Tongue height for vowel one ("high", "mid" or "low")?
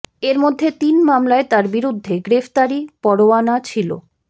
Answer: mid